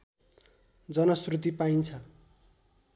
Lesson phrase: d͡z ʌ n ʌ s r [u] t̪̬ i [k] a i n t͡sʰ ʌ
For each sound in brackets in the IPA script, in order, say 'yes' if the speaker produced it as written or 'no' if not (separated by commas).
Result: yes, no